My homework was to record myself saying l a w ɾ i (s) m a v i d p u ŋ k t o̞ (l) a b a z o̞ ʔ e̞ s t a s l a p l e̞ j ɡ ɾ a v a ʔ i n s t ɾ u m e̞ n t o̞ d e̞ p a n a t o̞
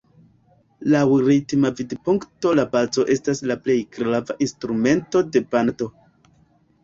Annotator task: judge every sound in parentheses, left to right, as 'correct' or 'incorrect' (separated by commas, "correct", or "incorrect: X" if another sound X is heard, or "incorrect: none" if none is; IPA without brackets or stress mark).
incorrect: t, correct